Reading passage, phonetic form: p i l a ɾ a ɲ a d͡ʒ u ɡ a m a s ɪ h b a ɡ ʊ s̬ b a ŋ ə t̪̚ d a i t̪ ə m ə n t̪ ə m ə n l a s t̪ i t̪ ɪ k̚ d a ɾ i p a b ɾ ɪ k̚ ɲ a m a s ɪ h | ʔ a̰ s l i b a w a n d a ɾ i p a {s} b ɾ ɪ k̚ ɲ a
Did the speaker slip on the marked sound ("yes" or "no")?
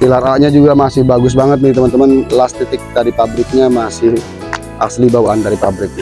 yes